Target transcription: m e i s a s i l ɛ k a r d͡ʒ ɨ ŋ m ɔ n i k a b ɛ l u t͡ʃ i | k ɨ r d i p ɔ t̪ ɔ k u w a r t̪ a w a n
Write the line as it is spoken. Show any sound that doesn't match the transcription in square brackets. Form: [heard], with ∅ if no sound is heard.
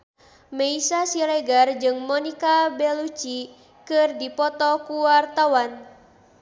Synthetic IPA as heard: m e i s a s i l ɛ [ɡ] a r d͡ʒ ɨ ŋ m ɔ n i k a b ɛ l u t͡ʃ i | k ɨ r d i p ɔ t̪ ɔ k u w a r t̪ a w a n

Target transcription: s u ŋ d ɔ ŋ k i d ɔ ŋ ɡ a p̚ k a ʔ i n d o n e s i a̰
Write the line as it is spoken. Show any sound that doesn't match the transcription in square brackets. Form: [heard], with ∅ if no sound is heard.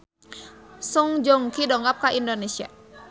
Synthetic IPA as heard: s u ŋ [d͡ʒ] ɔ ŋ k i d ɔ ŋ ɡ a p̚ k a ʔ i n d o n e s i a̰

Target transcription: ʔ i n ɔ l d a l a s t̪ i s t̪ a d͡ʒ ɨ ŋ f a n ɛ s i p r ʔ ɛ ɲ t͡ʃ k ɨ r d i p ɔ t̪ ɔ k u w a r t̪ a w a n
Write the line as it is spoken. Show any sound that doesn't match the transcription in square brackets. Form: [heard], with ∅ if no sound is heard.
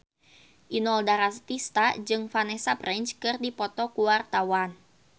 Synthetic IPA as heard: ʔ i n ɔ l d a [ɾ] a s t̪ i s t̪ a d͡ʒ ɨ ŋ f a n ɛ s [a] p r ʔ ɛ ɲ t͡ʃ k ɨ r d i p ɔ t̪ ɔ k u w a r t̪ a w a n

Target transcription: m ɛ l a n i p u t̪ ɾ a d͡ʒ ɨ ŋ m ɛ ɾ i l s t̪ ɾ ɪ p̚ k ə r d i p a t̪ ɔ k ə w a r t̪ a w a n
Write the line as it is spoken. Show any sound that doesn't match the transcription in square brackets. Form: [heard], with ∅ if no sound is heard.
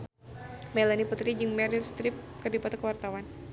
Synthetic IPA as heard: m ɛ l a n i p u t̪ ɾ [i] d͡ʒ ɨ ŋ m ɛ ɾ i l s t̪ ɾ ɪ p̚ k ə r d i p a t̪ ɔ k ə w a r t̪ a w a n

